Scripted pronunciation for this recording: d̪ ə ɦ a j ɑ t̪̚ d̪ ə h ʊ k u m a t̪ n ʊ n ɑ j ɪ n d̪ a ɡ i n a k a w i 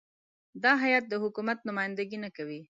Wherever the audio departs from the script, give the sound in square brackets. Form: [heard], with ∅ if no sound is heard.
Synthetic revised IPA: d̪ [ɑ] ɦ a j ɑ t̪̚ d̪ ə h ʊ k u m a t̪ n ʊ [m] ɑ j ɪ n d̪ a ɡ i n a k a w i

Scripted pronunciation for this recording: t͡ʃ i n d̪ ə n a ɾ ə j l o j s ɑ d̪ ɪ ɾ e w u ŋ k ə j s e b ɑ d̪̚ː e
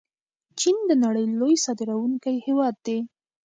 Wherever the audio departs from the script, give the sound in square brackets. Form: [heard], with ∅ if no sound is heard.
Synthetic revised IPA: t͡ʃ i n d̪ ə n a [ɽ] ə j l o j s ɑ d̪ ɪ ɾ [a] w u ŋ k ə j [h] e [w] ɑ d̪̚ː e

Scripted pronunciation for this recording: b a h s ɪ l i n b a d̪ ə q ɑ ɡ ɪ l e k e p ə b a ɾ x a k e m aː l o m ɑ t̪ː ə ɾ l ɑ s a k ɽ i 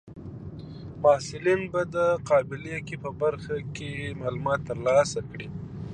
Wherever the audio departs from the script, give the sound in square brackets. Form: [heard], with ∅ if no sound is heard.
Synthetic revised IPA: [m] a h s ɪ l i n b a d̪ ə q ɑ [b] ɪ l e k e p ə b a ɾ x a k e m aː l [u] m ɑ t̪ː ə ɾ l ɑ s a k ɽ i

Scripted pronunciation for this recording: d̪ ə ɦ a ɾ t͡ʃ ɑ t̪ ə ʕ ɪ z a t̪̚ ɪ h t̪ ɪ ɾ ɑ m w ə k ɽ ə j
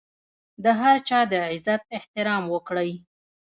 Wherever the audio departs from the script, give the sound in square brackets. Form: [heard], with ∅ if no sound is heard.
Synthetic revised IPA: d̪ ə ɦ a ɾ t͡ʃ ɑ [d̪] ə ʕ ɪ z a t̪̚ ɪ h t̪ ɪ ɾ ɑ m w ə k ɽ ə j

